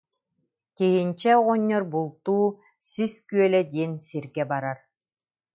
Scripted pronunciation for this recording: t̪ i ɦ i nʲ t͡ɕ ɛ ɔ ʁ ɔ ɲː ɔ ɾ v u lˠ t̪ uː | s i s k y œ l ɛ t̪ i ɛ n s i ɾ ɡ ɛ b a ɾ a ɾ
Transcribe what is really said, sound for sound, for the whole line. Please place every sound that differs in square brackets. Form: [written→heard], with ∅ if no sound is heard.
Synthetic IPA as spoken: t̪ i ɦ i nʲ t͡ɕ ɛ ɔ ʁ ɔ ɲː ɔ ɾ [v→b] u lˠ t̪ uː | s i s k y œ l ɛ [t̪→d̪] i ɛ n s i ɾ ɡ ɛ b a ɾ a ɾ